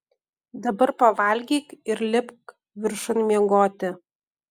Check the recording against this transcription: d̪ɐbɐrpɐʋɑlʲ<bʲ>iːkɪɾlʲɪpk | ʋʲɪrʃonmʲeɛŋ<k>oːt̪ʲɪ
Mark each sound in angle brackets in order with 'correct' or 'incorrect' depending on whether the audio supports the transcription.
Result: incorrect: ɡʲ, incorrect: ɡ

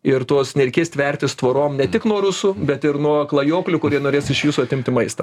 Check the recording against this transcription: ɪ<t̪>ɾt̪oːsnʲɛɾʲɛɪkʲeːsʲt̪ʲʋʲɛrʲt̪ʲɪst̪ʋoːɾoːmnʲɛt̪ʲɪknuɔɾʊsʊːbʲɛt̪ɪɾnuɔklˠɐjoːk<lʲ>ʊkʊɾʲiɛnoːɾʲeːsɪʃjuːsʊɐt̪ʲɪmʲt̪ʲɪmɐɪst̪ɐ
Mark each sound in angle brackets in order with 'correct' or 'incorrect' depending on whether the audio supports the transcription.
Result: incorrect: none, correct

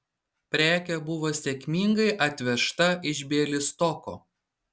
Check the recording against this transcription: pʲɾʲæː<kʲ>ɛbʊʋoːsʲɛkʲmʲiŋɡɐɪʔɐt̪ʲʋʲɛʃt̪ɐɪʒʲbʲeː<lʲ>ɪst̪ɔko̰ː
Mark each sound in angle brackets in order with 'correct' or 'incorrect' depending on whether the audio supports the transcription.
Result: correct, correct

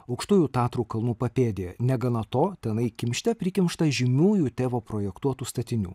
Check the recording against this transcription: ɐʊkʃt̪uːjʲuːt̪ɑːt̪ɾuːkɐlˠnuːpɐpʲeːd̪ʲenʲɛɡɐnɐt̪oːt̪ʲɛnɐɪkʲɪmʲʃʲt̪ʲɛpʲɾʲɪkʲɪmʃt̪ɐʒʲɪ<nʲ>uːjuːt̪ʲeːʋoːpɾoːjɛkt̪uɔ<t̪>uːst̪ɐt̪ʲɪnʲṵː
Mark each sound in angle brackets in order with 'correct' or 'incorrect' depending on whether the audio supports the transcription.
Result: incorrect: mʲ, correct

